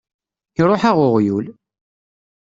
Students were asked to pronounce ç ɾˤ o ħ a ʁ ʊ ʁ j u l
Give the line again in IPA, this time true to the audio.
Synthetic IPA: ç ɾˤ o ħ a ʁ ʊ ʁ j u l